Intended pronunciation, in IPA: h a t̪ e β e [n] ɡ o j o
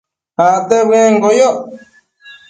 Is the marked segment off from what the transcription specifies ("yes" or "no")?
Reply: yes